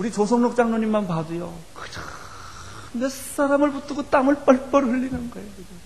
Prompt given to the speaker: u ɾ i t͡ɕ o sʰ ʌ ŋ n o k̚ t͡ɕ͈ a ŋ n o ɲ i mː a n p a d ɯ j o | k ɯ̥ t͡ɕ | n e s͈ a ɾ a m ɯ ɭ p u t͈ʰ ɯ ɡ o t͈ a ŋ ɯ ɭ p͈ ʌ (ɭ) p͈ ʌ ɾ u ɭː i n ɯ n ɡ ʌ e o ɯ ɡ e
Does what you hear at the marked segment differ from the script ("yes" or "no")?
no